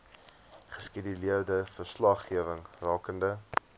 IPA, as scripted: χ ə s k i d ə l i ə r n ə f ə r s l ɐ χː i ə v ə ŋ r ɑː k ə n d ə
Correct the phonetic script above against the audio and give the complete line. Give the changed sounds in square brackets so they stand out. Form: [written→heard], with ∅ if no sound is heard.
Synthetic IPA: χ ə s k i d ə l i ə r [n→d] ə f ə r s l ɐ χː i ə v ə ŋ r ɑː k ə n d ə